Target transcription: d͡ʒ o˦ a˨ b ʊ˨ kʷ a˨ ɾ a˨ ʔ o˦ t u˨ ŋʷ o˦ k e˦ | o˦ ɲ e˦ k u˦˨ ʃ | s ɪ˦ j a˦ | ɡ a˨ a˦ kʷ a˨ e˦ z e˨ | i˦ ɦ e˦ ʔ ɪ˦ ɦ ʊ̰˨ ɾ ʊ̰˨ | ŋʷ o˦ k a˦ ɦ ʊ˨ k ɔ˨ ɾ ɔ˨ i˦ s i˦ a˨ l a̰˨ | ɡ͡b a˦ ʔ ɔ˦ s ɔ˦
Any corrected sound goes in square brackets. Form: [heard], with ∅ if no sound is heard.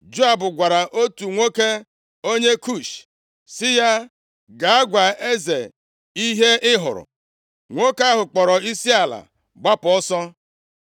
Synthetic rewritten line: d͡ʒ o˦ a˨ b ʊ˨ [ɡʷ] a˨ ɾ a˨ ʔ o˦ t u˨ ŋʷ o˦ k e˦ | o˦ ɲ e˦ k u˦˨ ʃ | s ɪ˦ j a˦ | ɡ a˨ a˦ [ɡʷ] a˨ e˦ z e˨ | i˦ ɦ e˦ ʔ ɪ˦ ɦ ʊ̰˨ ɾ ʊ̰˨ | ŋʷ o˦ k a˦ ɦ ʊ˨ [k͡p] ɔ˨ ɾ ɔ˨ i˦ s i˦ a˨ l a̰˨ | ɡ͡b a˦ [p] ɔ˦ s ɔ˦